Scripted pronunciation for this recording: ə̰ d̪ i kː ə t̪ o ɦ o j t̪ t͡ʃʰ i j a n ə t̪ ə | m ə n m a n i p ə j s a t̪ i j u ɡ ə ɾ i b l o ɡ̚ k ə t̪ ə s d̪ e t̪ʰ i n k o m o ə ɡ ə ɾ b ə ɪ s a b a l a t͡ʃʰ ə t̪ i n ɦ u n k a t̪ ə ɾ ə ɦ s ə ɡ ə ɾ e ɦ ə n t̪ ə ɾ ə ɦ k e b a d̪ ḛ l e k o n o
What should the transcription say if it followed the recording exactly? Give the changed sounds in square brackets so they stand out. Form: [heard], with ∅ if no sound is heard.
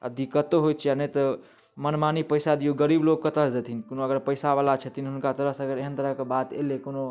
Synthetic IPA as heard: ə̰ d̪ i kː ə t̪ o ɦ o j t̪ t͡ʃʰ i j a n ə t̪ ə | m ə n m a n i p ə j s a [d̪] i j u ɡ ə ɾ i b l o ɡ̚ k ə t̪ ə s d̪ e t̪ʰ i n k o [n] o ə ɡ ə ɾ [p] ə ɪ s a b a l a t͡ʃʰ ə t̪ i n ɦ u n k a t̪ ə ɾ ə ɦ s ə ɡ ə ɾ e ɦ ə n t̪ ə ɾ ə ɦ k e b a [t̪] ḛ l e k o n o